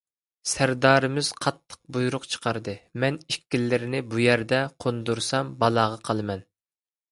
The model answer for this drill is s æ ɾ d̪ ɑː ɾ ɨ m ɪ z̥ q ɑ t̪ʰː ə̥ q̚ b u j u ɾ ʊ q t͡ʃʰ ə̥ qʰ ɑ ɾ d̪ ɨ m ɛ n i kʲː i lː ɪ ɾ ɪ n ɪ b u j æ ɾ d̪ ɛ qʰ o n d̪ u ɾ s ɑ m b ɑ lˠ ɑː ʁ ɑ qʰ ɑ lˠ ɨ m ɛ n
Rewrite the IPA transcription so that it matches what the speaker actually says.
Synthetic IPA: s æ ɾ d̪ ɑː ɾ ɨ m ɪ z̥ qʰ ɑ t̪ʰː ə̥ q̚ b u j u ɾ ʊ q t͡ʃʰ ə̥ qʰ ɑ ɾ d̪ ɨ m ɛ n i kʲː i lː ɪ ɾ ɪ n ɪ b u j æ ɾ d̪ ɛ qʰ o n d̪ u ɾ s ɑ m b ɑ lˠ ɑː ʁ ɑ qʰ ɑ lˠ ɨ m ɛ n